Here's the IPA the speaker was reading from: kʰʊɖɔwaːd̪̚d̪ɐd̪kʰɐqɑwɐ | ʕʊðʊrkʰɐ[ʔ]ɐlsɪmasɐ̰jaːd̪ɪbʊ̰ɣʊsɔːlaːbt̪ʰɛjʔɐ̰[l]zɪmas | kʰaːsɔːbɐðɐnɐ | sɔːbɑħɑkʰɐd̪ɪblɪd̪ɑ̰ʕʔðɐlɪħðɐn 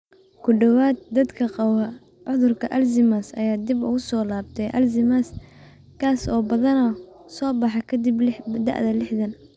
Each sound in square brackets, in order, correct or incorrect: correct, correct

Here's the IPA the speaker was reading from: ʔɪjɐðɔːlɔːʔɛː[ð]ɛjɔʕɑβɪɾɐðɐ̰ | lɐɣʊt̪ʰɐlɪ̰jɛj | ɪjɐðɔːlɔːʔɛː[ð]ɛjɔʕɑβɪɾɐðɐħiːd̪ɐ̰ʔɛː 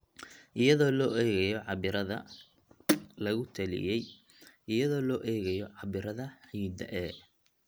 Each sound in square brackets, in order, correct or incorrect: incorrect, incorrect

